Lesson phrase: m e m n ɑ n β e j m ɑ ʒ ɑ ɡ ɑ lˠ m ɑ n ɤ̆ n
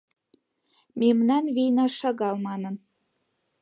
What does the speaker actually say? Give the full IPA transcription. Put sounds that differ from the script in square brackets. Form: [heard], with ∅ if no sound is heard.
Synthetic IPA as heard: m e m n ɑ n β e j [n] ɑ [ʃ] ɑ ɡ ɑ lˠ m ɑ n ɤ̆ n

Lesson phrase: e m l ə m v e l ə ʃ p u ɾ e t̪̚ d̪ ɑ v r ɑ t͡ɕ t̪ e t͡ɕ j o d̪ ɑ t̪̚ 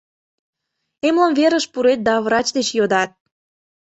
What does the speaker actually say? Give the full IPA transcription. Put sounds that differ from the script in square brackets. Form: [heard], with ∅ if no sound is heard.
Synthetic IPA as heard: e m l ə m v e [ɾ] ə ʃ p u ɾ e t̪̚ d̪ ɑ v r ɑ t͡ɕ [d̪] e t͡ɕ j o d̪ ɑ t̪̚

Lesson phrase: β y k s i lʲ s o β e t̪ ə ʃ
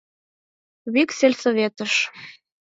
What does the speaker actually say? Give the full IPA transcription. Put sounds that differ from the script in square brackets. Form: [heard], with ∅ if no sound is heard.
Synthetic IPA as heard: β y k s [e] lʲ s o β e t̪ ə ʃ

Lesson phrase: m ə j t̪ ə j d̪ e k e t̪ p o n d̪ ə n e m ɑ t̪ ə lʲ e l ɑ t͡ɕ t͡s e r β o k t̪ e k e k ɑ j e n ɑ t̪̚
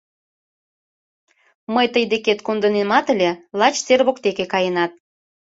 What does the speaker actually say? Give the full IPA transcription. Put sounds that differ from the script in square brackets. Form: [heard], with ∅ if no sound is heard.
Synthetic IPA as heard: m ə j t̪ ə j d̪ e k e t̪ [k] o n d̪ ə n e m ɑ t̪ ə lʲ e l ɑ t͡ɕ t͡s e r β o k t̪ e k e k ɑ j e n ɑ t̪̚

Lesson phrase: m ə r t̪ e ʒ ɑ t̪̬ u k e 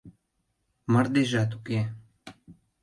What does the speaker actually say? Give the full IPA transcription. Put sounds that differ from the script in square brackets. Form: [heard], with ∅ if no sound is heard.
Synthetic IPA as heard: m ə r [d̪] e ʒ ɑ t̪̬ u k e

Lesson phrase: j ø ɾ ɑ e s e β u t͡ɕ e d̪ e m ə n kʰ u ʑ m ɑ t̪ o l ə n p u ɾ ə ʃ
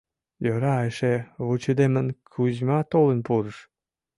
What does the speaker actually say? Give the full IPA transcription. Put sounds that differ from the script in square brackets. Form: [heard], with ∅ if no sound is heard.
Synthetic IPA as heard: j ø ɾ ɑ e [ʃ] e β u t͡ɕ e d̪ e m ə n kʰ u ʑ m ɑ t̪ o l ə n p u ɾ ə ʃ

